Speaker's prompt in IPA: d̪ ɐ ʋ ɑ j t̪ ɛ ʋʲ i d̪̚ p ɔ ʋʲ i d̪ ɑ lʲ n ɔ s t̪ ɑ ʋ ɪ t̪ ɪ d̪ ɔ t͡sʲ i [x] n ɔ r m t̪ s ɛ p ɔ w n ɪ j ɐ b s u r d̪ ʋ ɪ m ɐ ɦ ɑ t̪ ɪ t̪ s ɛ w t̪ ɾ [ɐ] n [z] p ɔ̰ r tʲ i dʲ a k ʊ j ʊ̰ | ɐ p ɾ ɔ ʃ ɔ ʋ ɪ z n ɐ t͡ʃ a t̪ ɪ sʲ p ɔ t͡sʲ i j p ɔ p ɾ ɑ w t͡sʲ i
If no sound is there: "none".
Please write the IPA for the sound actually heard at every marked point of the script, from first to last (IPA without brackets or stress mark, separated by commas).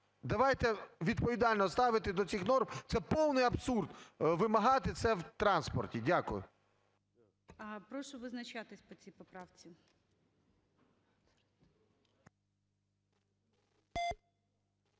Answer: x, ɑ, s